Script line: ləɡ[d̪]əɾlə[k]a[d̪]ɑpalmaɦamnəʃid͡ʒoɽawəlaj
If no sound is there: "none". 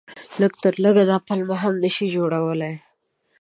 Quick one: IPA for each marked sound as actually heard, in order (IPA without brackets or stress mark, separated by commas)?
t̪, ɡ, d̪